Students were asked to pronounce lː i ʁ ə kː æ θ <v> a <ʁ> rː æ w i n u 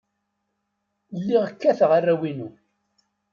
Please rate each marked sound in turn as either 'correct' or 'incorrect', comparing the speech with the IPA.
incorrect: ʁ, incorrect: none

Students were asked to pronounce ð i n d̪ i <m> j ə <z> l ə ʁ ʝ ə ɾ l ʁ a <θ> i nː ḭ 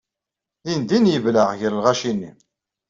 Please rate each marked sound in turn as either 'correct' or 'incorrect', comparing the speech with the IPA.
incorrect: n, incorrect: v, incorrect: ʃ

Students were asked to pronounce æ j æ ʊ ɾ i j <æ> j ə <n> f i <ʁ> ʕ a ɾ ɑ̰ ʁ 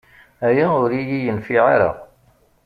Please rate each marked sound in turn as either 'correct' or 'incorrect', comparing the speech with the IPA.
incorrect: i, correct, incorrect: none

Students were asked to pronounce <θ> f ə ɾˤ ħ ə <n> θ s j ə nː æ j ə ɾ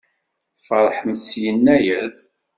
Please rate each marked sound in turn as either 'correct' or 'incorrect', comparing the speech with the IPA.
correct, incorrect: m

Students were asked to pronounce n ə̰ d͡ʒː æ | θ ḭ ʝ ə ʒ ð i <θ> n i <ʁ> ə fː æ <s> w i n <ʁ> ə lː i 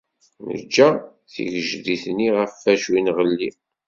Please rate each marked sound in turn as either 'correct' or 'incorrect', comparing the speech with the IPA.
correct, correct, incorrect: ʃ, correct

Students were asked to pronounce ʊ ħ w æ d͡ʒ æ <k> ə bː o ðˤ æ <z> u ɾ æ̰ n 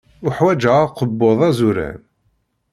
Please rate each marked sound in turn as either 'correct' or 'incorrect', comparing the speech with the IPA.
incorrect: q, correct

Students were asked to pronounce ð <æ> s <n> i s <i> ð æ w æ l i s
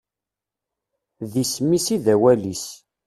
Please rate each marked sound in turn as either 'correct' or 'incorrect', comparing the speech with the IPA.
incorrect: i, incorrect: m, correct

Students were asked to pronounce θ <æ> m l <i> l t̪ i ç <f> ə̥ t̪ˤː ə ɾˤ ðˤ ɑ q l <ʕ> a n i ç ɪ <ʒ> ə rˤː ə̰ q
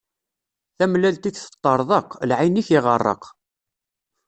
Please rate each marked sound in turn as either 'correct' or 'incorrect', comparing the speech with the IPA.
correct, incorrect: æ, incorrect: θ, correct, incorrect: ʁ

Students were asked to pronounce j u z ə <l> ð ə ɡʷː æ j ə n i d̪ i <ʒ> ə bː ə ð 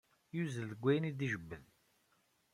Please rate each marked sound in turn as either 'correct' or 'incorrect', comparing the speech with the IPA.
correct, correct

